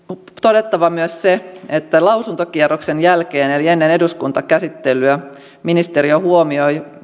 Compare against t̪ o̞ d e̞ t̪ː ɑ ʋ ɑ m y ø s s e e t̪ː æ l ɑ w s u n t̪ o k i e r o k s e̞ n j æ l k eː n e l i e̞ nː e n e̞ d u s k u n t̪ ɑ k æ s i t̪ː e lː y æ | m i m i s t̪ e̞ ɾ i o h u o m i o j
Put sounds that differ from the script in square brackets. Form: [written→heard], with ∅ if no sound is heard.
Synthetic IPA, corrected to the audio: t̪ o̞ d e̞ t̪ː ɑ ʋ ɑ m y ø s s e e t̪ː æ l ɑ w s u n t̪ o k i e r o k s e̞ n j æ l k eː n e l i e̞ nː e n e̞ d u s k u n t̪ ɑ k æ s i t̪ː e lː y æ | m i [m→n] i s t̪ e̞ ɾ i o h u o m i o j